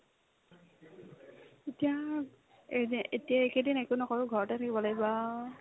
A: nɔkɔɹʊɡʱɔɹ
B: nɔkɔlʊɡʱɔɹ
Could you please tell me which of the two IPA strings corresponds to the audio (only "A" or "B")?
A